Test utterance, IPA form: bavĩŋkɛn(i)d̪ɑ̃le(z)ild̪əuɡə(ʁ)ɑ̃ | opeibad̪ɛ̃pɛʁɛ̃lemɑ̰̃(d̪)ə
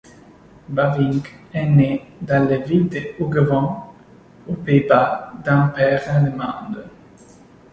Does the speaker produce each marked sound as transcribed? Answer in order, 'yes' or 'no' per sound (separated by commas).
no, no, no, yes